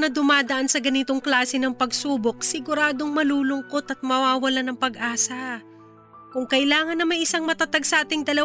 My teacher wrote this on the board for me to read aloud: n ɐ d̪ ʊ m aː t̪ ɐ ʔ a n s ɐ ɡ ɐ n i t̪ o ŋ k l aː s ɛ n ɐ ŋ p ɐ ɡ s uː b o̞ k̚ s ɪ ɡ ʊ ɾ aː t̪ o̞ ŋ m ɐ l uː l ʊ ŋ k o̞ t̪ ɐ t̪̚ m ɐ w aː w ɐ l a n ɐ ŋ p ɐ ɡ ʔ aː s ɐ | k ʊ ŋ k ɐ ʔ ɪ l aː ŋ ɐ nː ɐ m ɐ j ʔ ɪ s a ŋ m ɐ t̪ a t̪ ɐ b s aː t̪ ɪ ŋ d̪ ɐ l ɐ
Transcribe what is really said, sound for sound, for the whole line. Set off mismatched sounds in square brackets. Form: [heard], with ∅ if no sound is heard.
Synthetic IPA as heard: n ɐ d̪ ʊ m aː [d̪] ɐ ʔ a n s ɐ ɡ ɐ n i t̪ o ŋ k l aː s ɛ n ɐ ŋ p ɐ ɡ s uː b o̞ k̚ s ɪ ɡ ʊ ɾ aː [d̪] o̞ ŋ m ɐ l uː l ʊ ŋ k o̞ t̪ ɐ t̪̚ m ɐ w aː w ɐ l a n ɐ ŋ p ɐ ɡ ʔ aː s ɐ | k ʊ ŋ k ɐ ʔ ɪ l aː ŋ ɐ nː ɐ m ɐ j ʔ ɪ s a ŋ m ɐ t̪ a t̪ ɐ [ɡ] s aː t̪ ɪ ŋ d̪ ɐ l ɐ